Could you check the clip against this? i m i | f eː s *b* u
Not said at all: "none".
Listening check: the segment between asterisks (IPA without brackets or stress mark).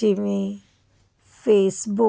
b